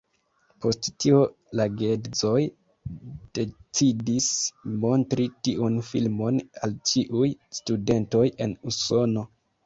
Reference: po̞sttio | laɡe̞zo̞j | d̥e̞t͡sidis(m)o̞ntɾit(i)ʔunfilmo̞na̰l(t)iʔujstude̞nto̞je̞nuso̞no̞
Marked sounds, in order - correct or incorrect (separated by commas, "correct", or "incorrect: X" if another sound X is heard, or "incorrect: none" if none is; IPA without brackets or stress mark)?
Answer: correct, correct, incorrect: t͡ʃ